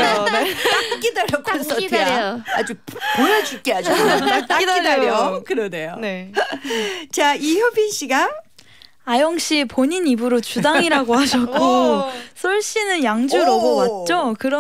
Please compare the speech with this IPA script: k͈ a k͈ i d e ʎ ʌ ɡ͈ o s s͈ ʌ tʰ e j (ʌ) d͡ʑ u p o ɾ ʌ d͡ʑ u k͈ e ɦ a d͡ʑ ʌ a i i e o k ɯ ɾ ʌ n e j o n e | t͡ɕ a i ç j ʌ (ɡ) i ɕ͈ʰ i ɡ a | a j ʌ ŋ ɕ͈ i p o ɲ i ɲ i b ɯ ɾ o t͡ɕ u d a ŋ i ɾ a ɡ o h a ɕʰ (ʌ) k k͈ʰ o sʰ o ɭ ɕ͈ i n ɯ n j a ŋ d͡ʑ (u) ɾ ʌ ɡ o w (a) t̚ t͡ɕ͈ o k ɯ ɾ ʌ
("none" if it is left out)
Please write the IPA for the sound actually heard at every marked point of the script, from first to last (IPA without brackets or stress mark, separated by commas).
a, b, ʌ, u, a